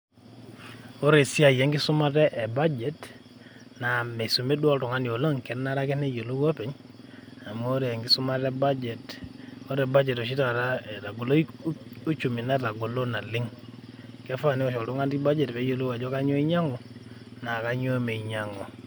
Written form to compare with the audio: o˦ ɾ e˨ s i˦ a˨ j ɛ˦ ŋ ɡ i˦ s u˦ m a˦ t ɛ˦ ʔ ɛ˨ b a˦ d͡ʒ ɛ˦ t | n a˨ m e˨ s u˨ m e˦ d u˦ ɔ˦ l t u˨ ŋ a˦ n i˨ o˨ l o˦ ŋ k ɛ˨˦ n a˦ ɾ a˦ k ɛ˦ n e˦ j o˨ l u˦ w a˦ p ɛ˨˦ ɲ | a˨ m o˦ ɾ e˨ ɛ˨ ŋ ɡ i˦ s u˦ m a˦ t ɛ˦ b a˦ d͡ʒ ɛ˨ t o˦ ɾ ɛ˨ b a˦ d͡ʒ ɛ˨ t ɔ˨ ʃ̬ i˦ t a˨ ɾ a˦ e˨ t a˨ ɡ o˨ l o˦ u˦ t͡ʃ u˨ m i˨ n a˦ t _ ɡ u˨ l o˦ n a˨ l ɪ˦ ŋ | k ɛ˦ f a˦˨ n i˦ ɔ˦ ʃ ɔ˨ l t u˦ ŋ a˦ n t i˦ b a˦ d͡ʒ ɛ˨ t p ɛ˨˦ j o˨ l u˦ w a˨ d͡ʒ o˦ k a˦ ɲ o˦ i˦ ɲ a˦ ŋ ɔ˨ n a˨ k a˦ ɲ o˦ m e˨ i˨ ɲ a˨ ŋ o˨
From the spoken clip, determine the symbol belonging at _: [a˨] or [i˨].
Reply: a˨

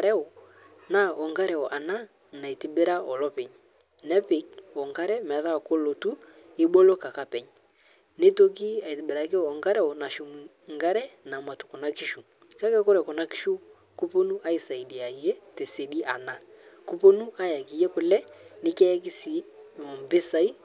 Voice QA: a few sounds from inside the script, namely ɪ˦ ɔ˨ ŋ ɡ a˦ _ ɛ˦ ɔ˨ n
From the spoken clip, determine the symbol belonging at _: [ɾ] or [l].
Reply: ɾ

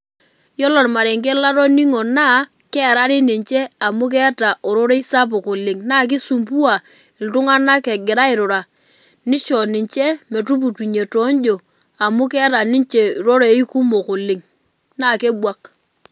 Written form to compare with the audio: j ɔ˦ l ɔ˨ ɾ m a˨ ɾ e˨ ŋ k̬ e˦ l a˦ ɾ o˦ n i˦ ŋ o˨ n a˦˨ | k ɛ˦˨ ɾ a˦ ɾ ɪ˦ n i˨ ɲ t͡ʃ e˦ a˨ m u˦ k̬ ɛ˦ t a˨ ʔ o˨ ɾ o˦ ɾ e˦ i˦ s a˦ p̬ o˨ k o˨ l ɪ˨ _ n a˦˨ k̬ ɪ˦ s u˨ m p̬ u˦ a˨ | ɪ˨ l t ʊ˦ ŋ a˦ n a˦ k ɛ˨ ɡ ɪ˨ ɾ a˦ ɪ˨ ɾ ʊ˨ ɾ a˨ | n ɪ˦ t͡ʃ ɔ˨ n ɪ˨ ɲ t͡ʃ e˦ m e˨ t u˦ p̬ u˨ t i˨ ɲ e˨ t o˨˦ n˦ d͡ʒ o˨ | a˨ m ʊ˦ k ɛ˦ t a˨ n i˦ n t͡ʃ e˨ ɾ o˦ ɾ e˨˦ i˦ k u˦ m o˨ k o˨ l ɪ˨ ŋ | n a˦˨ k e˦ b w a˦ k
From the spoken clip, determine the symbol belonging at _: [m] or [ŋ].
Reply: ŋ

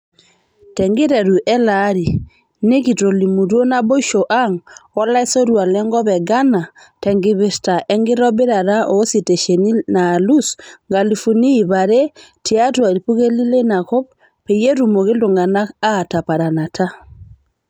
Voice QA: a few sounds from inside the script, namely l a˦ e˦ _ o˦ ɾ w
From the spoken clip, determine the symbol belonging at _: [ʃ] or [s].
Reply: s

